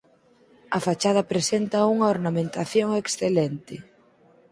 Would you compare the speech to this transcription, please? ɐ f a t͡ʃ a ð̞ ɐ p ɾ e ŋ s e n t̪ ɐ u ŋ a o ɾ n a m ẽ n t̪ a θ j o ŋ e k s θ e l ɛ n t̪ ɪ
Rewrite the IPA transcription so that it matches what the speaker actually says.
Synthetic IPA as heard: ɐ f a t͡ʃ a ð̞ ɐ p ɾ e s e n t̪ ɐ u ŋ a o ɾ n a m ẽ n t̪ a θ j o ŋ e k s θ e l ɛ n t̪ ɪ